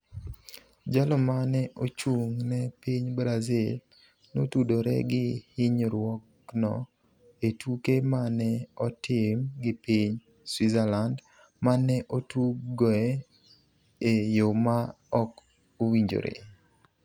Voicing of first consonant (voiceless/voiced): voiced